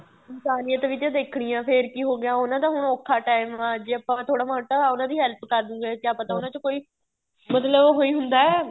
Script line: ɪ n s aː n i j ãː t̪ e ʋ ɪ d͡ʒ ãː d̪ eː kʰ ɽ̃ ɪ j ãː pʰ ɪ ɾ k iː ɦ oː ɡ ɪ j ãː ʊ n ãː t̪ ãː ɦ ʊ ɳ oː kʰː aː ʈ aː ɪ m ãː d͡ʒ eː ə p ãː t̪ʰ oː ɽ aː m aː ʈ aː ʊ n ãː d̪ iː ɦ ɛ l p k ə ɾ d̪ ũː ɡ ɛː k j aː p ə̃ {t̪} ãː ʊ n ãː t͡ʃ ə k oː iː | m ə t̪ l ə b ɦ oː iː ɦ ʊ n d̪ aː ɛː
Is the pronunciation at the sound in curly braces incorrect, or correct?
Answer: correct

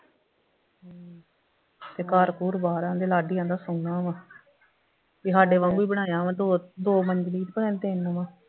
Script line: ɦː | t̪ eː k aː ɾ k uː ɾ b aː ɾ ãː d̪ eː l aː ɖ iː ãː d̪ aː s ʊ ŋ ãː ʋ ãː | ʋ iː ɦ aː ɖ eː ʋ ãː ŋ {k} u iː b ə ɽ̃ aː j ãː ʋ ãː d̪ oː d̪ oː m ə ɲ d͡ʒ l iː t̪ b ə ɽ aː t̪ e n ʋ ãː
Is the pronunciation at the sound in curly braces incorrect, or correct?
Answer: incorrect: ɡ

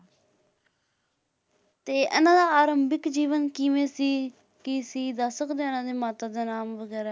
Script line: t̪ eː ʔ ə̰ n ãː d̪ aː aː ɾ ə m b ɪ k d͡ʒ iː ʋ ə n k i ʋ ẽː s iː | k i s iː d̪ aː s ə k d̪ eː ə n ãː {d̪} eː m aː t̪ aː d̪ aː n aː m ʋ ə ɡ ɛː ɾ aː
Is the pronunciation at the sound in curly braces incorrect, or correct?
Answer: correct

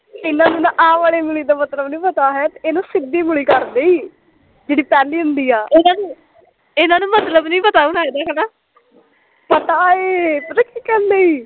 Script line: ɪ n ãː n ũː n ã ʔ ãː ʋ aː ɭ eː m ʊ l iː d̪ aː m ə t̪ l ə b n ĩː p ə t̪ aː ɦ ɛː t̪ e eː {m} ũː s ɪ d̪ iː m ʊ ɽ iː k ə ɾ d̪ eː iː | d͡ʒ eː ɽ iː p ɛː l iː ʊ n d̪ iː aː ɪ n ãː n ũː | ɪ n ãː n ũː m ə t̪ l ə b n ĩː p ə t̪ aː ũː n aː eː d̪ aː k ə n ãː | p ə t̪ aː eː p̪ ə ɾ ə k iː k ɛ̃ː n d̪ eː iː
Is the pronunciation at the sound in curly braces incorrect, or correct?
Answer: incorrect: n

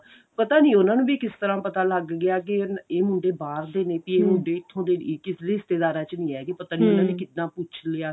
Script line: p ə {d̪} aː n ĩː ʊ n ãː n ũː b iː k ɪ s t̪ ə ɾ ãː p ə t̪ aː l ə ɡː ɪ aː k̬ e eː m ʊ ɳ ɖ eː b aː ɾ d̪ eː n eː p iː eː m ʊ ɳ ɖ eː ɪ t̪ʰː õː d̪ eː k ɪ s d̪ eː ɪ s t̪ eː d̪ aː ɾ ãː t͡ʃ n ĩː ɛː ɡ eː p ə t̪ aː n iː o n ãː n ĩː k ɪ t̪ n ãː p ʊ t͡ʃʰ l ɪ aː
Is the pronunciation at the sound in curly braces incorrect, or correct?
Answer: incorrect: t̪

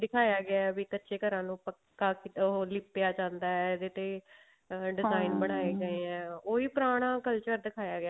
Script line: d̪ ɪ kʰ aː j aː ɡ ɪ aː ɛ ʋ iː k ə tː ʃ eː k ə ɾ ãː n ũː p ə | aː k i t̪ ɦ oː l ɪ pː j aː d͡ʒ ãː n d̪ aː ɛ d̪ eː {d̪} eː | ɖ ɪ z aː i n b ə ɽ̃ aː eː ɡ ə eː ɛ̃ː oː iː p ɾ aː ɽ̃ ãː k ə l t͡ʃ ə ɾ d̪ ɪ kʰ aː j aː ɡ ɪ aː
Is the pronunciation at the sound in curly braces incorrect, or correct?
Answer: incorrect: t̪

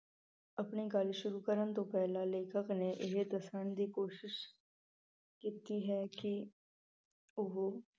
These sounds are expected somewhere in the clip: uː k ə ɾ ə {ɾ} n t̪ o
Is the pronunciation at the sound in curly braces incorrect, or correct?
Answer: incorrect: none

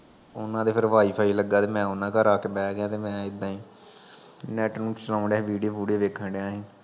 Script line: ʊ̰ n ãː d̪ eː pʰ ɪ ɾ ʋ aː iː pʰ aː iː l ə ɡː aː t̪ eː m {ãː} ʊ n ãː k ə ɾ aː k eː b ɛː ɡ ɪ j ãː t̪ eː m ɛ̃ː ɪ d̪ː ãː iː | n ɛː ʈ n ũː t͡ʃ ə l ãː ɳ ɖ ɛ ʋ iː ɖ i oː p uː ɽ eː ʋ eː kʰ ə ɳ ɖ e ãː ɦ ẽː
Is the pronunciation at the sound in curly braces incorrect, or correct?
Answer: incorrect: ɛ̃ː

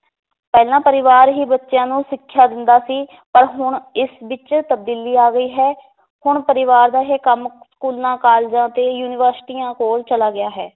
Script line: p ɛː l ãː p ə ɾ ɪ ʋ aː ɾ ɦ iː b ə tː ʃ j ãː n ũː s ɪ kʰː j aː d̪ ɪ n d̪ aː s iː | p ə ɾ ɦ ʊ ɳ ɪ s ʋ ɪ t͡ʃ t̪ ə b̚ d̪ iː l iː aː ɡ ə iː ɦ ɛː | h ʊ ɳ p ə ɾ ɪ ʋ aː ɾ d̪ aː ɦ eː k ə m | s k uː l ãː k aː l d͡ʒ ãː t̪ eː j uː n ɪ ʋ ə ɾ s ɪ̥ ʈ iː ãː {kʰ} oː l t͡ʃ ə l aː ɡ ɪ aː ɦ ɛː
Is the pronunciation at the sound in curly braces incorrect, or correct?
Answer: incorrect: k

